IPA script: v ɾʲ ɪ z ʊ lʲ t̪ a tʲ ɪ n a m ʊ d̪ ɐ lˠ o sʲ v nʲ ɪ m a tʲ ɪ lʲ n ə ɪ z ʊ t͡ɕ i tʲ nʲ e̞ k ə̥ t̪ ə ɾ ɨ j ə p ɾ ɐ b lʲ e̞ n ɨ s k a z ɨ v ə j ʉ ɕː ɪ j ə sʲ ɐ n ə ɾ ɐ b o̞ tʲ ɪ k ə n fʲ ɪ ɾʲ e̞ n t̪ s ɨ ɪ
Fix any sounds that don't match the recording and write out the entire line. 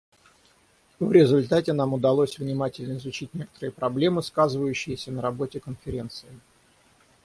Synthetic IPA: v ɾʲ ɪ z ʊ lʲ t̪ a tʲ ɪ n a m ʊ d̪ ɐ lˠ o sʲ v nʲ ɪ m a tʲ ɪ lʲ n ə ɪ z ʊ t͡ɕ i tʲ nʲ e̞ k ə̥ t̪ ə ɾ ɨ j ə p ɾ ɐ b lʲ e̞ m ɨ s k a z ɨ v ə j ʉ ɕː ɪ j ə sʲ ə n ə ɾ ɐ b o̞ tʲ ɪ k ə n fʲ ɪ ɾʲ e̞ n t̪ s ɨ ɪ